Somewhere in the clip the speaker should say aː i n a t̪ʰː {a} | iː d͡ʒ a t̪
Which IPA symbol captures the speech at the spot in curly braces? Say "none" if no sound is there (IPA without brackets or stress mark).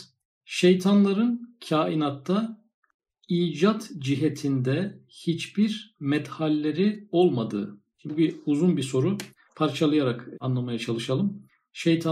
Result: a